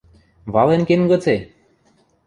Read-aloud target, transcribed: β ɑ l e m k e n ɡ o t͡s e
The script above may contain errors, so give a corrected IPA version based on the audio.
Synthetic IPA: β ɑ l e n k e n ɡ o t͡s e